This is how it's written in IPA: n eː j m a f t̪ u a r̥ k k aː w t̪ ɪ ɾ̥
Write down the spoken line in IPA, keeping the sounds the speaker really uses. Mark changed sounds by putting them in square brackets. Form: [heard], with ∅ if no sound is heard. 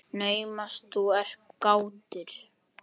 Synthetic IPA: n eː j m a [s] t̪ u [ɛ] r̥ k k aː w t̪ ɪ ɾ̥